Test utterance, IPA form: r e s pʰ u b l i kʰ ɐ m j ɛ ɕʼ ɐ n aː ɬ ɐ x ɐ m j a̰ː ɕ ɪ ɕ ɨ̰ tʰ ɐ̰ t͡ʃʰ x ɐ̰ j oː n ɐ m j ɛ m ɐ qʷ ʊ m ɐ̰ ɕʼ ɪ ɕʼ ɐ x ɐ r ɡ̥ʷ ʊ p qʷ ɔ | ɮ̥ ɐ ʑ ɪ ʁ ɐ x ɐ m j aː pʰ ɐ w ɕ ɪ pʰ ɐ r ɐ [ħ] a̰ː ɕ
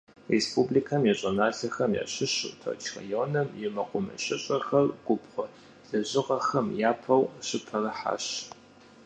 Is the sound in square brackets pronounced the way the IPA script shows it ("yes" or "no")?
yes